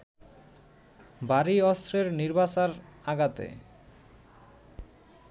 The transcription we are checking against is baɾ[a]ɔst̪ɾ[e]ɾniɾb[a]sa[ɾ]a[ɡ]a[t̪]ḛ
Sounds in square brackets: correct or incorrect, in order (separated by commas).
incorrect, correct, correct, correct, correct, correct